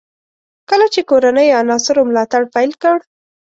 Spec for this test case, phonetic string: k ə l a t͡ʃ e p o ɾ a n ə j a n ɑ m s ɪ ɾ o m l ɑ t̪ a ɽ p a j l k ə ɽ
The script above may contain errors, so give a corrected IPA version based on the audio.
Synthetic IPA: k ə l a t͡ʃ e k o ɾ a n ə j a n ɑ s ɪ ɾ o m l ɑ t̪ a ɽ p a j l k ə ɽ